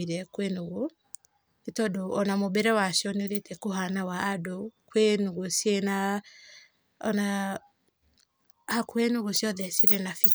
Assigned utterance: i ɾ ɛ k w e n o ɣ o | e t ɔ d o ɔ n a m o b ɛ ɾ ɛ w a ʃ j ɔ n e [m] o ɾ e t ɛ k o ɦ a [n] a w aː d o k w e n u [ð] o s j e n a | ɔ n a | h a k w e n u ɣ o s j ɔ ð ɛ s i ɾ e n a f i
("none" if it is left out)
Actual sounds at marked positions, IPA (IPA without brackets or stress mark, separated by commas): none, n, ɣ